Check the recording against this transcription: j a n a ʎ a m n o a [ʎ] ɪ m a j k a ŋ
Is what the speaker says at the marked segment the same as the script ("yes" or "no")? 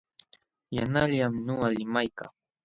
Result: no